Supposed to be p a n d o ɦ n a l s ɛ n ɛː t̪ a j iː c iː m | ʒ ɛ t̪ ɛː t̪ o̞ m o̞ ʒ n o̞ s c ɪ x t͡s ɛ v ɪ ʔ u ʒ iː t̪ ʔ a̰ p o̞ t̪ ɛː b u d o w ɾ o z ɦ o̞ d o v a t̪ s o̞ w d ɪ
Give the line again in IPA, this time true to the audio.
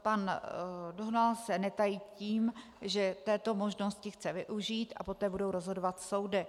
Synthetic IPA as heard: p a n d o ɦ n a l s ɛ n ɛ t̪ a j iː c iː m | ʒ ɛ t̪ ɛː t̪ o̞ m o̞ ʒ n o̞ s c ɪ x t͡s ɛ v ɪ ʔ u ʒ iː t̪ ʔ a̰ p o̞ t̪ ɛː b u d o w ɾ o z ɦ o̞ d o v a t̪ s o̞ w d ɪ